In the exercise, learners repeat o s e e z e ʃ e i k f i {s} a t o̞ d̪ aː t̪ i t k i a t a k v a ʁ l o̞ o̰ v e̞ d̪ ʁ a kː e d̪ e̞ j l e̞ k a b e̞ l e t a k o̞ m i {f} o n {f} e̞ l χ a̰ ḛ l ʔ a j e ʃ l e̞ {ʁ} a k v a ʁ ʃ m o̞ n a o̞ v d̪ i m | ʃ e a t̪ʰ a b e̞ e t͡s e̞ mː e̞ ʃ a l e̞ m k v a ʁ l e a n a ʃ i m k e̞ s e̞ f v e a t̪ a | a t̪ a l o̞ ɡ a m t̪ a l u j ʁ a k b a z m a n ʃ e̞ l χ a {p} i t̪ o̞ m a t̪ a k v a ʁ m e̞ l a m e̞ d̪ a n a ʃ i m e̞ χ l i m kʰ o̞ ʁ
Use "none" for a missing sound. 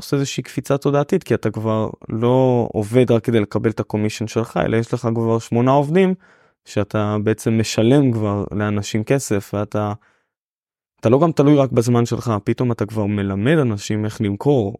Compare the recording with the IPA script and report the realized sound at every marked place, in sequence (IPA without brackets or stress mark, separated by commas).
t͡s, ʃ, ʃ, χ, p